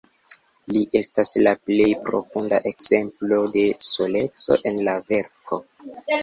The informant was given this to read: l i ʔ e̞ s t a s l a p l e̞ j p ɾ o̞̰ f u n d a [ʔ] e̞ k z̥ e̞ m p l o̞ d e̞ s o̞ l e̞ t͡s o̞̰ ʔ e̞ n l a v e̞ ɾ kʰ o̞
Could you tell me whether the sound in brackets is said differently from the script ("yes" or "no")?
no